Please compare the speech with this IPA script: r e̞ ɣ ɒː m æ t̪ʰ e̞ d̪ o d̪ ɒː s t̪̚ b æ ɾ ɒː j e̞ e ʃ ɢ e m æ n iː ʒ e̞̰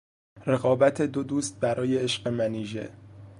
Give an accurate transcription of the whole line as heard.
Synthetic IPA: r e̞ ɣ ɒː b æ t̪ʰ e̞ d̪ o d̪ uː s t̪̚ b æ ɾ ɒː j e̞ e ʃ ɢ e m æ n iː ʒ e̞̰